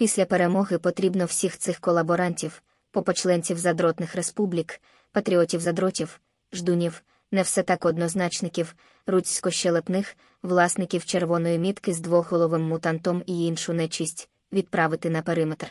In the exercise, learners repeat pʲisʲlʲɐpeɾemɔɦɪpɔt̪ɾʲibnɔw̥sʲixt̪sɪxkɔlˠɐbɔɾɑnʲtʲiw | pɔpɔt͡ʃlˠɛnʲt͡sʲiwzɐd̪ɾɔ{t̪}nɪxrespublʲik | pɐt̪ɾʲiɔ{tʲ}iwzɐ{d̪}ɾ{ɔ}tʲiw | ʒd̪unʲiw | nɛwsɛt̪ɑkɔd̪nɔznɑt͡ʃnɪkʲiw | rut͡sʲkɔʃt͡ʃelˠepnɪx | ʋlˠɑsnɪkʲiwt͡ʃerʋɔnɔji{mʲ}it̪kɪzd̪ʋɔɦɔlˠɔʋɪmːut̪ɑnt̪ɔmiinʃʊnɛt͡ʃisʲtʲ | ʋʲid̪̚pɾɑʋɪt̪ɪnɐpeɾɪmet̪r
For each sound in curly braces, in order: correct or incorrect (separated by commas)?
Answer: correct, correct, correct, correct, correct